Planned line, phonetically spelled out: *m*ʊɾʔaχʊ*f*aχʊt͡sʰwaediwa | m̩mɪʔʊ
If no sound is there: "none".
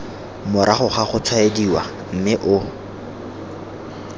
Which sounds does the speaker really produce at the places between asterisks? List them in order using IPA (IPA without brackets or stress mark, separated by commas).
m, χ